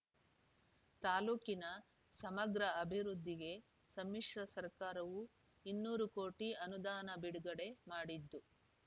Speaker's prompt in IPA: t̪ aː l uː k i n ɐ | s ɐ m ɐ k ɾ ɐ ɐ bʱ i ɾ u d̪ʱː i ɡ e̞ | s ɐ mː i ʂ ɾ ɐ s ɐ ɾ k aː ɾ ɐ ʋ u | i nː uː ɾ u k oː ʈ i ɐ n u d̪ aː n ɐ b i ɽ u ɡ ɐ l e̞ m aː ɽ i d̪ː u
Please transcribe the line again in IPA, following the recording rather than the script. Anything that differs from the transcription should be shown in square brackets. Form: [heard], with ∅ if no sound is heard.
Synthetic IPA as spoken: t̪ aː l uː k i n ɐ | s ɐ m ɐ [ɡ] ɾ ɐ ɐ bʱ i ɾ u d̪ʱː i ɡ e̞ | s ɐ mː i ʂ ɾ ɐ s ɐ ɾ k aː ɾ ɐ ʋ u | i nː uː ɾ u k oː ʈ i ɐ n u d̪ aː n ɐ b i ɽ u ɡ ɐ [ɽ] e̞ m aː ɽ i d̪ː u